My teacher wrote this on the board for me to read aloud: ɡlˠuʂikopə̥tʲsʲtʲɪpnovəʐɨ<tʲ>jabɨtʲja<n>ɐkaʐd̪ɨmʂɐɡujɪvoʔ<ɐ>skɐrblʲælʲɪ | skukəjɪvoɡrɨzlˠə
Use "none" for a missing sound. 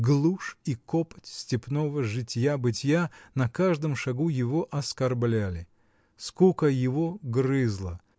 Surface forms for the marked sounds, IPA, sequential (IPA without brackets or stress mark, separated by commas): tʲ, n, ɐ